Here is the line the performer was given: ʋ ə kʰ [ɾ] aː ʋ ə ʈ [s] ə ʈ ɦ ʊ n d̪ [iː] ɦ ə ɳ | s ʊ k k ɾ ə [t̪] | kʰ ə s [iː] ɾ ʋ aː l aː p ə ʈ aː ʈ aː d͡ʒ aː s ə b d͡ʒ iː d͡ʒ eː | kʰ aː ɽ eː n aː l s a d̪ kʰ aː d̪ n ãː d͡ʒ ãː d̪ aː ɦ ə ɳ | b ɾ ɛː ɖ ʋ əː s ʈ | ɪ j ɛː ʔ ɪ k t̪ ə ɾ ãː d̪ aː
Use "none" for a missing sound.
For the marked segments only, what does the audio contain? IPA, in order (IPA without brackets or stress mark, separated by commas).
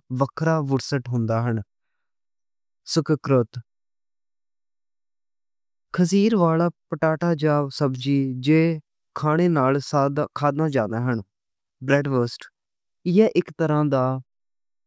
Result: ɾ, s, aː, t̪, iː